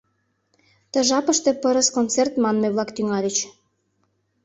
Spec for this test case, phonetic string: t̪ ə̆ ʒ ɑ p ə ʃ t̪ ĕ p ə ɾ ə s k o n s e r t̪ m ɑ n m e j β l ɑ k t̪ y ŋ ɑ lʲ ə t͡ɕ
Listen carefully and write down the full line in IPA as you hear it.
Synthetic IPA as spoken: t̪ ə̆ ʒ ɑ p ə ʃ t̪ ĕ p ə ɾ ə s k o n t͡s e r t̪ m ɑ n m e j β l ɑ k t̪ y ŋ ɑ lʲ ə t͡ɕ